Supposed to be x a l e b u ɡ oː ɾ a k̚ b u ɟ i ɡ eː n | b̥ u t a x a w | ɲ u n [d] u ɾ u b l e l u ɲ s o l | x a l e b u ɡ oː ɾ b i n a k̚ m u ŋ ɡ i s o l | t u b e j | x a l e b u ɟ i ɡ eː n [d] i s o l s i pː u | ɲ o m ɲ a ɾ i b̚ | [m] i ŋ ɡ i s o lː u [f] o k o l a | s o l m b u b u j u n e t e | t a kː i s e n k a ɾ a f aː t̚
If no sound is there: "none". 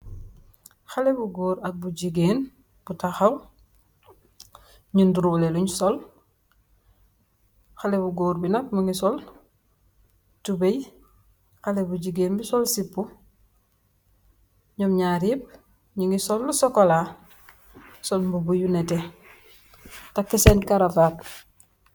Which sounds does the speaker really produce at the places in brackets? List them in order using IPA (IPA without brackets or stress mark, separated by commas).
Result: d, b, ɲ, s